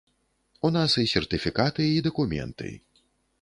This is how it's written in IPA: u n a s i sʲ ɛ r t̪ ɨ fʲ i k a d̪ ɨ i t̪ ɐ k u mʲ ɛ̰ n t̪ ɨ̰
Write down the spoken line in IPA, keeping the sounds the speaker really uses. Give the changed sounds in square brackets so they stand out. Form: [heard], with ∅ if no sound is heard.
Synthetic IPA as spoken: u n a s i sʲ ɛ r t̪ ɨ fʲ i k a [t̪] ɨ i [d̪] ɐ k u mʲ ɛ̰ n t̪ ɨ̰